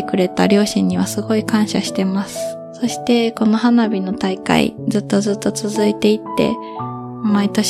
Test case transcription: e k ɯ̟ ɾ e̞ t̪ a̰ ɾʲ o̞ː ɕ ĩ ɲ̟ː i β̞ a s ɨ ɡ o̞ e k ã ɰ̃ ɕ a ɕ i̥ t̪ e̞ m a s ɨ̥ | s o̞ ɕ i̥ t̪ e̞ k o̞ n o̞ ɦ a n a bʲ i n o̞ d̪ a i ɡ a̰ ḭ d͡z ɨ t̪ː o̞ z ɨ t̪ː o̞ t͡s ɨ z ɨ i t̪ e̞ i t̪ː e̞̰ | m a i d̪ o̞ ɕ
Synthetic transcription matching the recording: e k ɯ̟ ɾ e̞ t̪ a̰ ɾʲ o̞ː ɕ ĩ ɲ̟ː i β̞ a s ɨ ɡ o̞ i k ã ɰ̃ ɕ a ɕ i̥ t̪ e̞ m a s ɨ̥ | s o̞ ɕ i̥ t̪ e̞ k o̞ n o̞ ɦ a n a bʲ i n o̞ t̪ a i k a̰ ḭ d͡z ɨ t̪ː o̞ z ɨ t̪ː o̞ t͡s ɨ z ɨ i t̪ e̞ i t̪ː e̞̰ | m a i t̪ o̞ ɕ